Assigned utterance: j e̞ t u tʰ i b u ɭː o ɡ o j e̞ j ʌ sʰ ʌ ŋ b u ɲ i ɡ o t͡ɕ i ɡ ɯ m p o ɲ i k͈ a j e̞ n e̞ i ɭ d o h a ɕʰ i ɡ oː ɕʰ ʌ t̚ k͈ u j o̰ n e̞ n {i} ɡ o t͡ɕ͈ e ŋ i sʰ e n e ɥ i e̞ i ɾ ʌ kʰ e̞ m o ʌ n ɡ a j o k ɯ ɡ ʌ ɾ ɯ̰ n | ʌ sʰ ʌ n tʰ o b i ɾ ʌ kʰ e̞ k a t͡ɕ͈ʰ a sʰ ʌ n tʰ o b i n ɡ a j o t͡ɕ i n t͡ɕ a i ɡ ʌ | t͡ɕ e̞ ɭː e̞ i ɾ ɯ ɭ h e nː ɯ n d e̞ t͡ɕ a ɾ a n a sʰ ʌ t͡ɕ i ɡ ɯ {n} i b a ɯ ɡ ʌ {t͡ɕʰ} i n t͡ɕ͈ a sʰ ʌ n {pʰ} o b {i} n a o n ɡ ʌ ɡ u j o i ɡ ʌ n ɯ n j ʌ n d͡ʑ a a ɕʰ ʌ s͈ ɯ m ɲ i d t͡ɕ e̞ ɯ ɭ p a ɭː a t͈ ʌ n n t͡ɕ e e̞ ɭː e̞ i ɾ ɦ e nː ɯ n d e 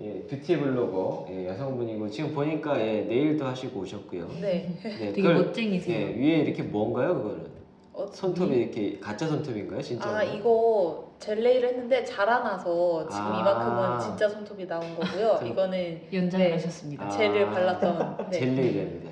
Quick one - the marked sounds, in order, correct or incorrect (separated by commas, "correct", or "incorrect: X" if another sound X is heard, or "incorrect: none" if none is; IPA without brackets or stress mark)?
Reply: incorrect: e, incorrect: m, incorrect: t͡ɕ, incorrect: tʰ, correct